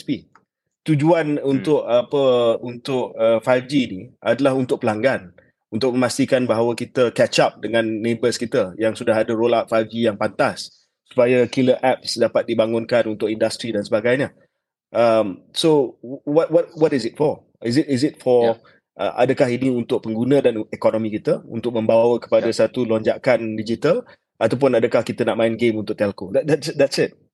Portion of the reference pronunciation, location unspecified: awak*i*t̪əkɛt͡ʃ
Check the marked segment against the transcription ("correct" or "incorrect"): correct